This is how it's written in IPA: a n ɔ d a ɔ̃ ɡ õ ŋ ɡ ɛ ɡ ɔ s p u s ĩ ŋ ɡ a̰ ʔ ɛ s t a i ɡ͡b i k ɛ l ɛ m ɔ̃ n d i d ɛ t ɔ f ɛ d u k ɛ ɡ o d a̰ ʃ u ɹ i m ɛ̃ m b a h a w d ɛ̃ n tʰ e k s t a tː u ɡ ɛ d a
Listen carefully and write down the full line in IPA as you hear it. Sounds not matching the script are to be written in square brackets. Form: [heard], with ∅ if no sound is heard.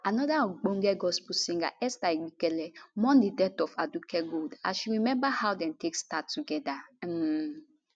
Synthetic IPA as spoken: a n ɔ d a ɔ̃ [ɡ͡b] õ ŋ ɡ ɛ ɡ ɔ s p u s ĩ ŋ ɡ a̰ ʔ ɛ s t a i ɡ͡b i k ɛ l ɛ m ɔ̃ n d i d ɛ t ɔ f [a] d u k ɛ ɡ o d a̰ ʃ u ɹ i m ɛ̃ m b a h a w d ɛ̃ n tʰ e k s t a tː u ɡ ɛ d a